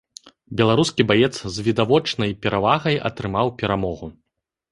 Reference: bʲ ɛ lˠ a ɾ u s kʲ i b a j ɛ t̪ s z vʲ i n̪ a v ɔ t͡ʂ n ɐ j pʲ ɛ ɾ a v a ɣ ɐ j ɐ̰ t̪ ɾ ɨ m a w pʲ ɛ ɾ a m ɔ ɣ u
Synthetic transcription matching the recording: bʲ ɛ lˠ a ɾ u s kʲ i b a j ɛ t̪ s z vʲ i d̪ a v ɔ t͡ʂ n ɐ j pʲ ɛ ɾ a v a ɣ ɐ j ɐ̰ t̪ ɾ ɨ m a w pʲ ɛ ɾ a m ɔ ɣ u